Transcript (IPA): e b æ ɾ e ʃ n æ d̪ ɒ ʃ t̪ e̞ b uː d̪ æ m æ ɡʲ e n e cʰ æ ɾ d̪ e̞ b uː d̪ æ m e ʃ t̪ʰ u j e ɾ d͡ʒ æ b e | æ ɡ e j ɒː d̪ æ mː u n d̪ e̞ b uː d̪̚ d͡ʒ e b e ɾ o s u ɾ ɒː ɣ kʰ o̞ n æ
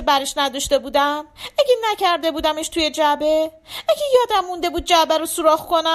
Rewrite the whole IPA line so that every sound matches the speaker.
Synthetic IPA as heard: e b æ ɾ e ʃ n æ d̪ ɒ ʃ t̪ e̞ b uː d̪ æ m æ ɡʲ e n æ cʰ æ ɾ d̪ e̞ b uː d̪ æ m e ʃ t̪ʰ u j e d͡ʒ æ b e | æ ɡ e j ɒː d̪ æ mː u n d̪ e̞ b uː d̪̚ d͡ʒ æ b æ ɾ o s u ɾ ɒː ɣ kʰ o̞ n æ